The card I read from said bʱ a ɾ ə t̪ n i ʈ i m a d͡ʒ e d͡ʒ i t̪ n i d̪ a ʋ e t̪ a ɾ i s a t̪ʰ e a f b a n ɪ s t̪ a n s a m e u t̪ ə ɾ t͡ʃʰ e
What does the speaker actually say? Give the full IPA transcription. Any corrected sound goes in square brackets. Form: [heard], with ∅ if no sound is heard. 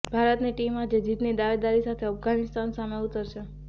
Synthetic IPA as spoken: bʱ a ɾ ə t̪ n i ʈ i m a d͡ʒ e d͡ʒ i t̪ n i d̪ a ʋ e [d̪] a ɾ i s a t̪ʰ e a f [ɡ] a n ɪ s t̪ a n s a m e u t̪ ə ɾ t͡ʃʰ e

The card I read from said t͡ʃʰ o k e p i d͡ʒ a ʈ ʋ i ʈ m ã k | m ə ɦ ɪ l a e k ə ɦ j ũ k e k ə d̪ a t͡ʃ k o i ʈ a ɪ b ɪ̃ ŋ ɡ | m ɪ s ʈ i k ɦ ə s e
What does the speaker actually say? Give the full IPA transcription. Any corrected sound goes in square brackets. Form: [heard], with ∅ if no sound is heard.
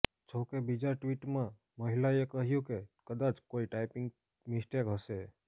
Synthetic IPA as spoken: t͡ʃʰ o k e [b] i d͡ʒ a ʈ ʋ i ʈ m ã [∅] | m ə ɦ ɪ l a e k ə ɦ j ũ k e k ə d̪ a t͡ʃ k o i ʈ a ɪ [p] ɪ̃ ŋ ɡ | m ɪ s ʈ [e] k ɦ ə s e

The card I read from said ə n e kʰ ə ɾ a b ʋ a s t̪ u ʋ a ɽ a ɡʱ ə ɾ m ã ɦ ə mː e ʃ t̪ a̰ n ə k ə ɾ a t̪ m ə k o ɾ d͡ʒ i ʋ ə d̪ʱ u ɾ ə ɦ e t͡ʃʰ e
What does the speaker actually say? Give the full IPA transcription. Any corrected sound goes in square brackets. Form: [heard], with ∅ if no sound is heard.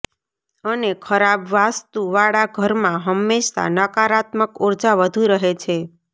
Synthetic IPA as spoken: ə n e kʰ ə ɾ a b ʋ a s t̪ u ʋ a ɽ a ɡʱ ə ɾ m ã ɦ ə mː e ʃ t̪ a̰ n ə k [a] ɾ a t̪ m ə k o ɾ d͡ʒ [a] ʋ ə d̪ʱ u ɾ ə ɦ e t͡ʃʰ e

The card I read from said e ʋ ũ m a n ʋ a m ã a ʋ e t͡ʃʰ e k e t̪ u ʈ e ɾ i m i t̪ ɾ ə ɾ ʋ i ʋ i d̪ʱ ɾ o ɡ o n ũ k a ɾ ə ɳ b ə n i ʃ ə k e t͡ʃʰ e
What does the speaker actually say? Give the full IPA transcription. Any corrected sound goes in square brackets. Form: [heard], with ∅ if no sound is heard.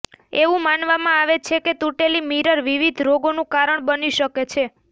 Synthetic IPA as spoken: e ʋ ũ m a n ʋ a m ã a ʋ e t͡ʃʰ e k e t̪ u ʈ e [l] i m i [∅] ɾ ə ɾ ʋ i ʋ i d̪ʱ ɾ o ɡ o n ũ k a ɾ ə ɳ b ə n i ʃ ə k e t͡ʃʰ e

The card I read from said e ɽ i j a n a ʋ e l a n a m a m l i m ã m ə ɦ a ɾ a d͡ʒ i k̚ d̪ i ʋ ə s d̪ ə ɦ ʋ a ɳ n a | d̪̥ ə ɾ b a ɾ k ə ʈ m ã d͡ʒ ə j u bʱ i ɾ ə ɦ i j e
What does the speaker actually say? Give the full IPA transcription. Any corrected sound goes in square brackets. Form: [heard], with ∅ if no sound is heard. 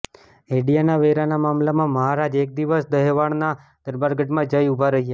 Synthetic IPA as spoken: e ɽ i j a n a ʋ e [ɾ] a n a m a m l [a] m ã m ə ɦ a ɾ a d͡ʒ [e] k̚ d̪ i ʋ ə s d̪ ə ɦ ʋ a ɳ n a | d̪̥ ə ɾ b a ɾ [ɡ] ə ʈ m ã d͡ʒ ə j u bʱ [a] ɾ ə ɦ i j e

